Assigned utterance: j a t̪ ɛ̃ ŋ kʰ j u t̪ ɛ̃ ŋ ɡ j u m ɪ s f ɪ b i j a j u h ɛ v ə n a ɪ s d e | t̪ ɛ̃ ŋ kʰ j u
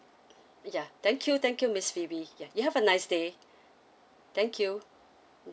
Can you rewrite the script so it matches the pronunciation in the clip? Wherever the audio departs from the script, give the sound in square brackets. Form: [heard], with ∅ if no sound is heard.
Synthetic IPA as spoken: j a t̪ ɛ̃ ŋ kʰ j u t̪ ɛ̃ ŋ [k] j u m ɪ s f [i] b i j a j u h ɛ v ə n a ɪ s d e | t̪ ɛ̃ ŋ kʰ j u